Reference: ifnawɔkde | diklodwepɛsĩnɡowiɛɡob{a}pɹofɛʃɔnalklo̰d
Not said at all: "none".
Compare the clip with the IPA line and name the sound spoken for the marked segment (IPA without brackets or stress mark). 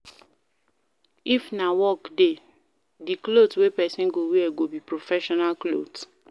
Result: i